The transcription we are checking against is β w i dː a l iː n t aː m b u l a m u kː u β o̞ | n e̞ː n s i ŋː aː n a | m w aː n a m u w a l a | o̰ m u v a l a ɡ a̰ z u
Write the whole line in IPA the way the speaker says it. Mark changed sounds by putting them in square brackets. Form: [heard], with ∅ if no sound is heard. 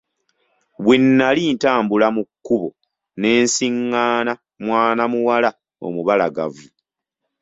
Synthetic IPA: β w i [nː] a l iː n t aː m b u l a m u kː u β o̞ | n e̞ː n s i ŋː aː n a | m w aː n a m u w a l a | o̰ m u [β] a l a ɡ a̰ [v] u